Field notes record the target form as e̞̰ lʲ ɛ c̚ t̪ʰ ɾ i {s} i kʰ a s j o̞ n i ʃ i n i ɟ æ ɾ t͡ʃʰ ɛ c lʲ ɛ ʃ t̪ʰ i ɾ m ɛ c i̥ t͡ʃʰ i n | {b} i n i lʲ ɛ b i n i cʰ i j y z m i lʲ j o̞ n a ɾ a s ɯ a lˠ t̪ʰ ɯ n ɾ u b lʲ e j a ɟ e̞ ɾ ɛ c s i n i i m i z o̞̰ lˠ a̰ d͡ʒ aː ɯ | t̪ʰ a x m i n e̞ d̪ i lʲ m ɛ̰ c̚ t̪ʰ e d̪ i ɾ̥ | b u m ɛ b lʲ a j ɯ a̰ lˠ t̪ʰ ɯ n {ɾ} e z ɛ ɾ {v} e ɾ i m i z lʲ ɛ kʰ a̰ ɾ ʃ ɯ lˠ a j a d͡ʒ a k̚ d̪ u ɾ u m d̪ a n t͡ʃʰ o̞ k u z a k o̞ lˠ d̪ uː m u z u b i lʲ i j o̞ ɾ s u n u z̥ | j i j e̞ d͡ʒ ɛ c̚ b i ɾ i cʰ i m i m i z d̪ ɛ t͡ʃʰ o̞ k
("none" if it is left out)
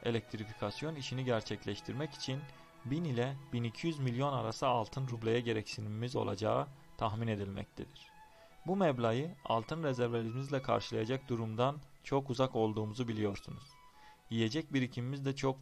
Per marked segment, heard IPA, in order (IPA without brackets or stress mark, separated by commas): f, b, ɾ, v